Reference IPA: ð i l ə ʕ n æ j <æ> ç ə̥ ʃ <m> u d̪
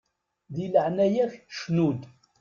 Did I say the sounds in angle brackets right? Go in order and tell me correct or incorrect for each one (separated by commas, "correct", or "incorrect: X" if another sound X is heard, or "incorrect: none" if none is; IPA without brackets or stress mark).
correct, incorrect: n